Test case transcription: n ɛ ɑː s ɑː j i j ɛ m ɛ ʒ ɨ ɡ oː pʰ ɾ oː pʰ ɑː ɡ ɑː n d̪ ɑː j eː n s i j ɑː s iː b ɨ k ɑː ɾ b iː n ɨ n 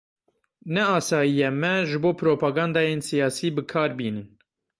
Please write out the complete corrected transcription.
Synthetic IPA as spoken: n ɛ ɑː s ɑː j i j ɛ m ɛ ʒ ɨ b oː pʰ ɾ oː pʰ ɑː ɡ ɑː n d̪ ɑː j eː n s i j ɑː s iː b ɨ kʰ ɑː ɾ b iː n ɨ n